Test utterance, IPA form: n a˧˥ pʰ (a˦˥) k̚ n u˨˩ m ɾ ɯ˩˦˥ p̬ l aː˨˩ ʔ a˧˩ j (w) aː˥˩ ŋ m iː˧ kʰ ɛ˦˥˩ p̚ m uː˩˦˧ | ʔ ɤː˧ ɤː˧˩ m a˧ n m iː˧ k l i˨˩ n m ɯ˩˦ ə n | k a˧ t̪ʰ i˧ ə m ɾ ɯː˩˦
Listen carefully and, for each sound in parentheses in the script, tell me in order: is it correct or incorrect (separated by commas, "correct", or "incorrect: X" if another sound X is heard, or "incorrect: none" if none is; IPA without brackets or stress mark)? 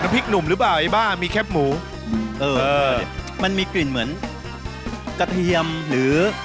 incorrect: i˦˥, incorrect: b